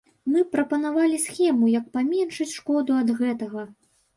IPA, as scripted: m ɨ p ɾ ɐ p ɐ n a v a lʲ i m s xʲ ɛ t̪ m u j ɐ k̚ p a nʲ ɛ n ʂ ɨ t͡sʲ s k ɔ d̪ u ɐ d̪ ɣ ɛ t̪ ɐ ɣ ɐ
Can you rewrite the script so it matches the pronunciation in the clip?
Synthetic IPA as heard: m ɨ p ɾ ɐ p ɐ n a v a lʲ i s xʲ ɛ m u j ɐ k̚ p a mʲ ɛ n ʂ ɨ t͡sʲ ʂ k ɔ d̪ u ɐ d̪ ɣ ɛ t̪ ɐ ɣ ɐ

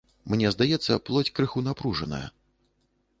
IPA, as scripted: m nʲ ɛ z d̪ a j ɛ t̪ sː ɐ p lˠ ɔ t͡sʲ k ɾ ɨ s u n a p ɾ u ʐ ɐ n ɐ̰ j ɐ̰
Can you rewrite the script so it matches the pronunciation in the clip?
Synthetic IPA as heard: m nʲ ɛ z d̪ a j ɛ t̪ sː ɐ p lˠ ɔ t͡sʲ k ɾ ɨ x u n a p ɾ u ʐ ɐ n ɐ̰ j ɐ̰

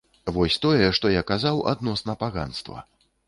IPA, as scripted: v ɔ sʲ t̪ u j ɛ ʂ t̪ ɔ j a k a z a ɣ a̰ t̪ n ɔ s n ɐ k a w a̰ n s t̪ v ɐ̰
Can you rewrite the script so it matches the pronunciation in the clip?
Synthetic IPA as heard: v ɔ sʲ t̪ ɔ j ɛ ʂ t̪ ɔ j a k a z a w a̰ d̪ n ɔ s n ɐ p a ɣ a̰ n s t̪ v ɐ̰

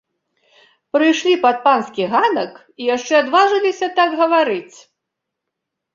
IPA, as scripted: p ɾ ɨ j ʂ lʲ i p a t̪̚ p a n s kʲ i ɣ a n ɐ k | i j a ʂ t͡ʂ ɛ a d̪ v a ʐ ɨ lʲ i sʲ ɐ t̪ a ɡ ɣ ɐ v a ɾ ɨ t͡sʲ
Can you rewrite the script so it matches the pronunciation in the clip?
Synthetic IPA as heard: p ɾ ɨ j ʂ lʲ i p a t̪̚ p a n s kʲ i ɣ a n ɐ k | i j a ʂ t͡ʂ ɛ a d̪ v a ʐ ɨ lʲ i sʲ ɐ t̪ a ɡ ɣ ɐ v a ɾ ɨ t͡sʲ

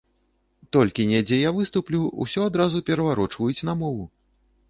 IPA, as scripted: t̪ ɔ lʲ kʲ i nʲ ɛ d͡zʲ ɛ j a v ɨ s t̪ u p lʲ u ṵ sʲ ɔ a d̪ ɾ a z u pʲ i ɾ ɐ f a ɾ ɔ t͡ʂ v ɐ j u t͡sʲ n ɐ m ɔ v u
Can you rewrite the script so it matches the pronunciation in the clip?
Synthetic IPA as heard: t̪ ɔ lʲ kʲ i nʲ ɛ d͡zʲ ɛ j a v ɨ s t̪ u p lʲ u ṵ sʲ ɔ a d̪ ɾ a z u pʲ ɛ ɾ ɐ v a ɾ ɔ t͡ʂ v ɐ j u t͡sʲ n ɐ m ɔ v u

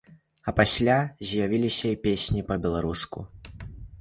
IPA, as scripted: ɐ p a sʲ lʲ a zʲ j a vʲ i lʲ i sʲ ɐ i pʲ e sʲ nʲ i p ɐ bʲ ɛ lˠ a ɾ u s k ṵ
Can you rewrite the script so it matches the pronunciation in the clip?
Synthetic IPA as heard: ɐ p a sʲ lʲ a zʲ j a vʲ i lʲ i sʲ ɐ i pʲ e sʲ nʲ i p ɐ bʲ ɛ lˠ a ɾ u s k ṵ

